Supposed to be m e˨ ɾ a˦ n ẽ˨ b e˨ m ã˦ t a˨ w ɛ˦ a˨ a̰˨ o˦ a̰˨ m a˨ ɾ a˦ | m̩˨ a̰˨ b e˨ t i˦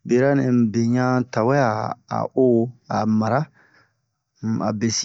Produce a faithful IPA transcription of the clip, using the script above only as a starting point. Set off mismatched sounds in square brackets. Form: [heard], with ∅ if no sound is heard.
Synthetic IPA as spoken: [b] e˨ ɾ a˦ n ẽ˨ b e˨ [ɲ] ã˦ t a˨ w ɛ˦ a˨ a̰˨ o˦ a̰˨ m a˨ ɾ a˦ | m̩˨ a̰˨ b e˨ [s] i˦